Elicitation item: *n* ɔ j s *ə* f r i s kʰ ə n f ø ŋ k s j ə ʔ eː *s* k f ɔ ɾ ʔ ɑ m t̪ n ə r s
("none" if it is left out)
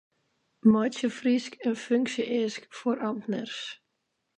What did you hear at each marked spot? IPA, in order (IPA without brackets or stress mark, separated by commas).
m, ə, s